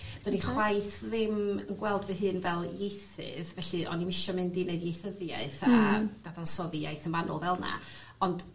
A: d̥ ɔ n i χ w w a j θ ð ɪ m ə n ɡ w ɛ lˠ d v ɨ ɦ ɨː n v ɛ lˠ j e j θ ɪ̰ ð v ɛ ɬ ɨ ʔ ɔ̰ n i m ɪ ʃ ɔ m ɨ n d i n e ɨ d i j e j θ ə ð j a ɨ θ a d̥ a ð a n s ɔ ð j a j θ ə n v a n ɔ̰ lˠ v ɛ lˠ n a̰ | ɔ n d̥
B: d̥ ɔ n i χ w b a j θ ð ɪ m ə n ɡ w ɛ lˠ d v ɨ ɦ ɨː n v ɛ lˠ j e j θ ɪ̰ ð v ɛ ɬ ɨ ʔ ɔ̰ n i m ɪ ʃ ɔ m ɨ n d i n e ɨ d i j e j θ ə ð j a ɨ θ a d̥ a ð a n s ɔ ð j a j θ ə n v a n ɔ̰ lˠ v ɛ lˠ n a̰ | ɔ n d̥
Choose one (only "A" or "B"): A